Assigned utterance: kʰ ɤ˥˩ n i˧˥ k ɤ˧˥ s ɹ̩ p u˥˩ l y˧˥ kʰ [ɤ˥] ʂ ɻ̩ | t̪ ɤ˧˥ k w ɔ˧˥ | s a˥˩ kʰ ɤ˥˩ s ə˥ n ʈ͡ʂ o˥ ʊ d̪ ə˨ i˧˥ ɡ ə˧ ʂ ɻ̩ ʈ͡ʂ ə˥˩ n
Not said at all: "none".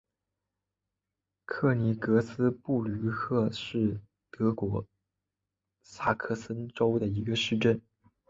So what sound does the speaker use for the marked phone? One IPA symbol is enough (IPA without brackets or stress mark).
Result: ɤ˥˧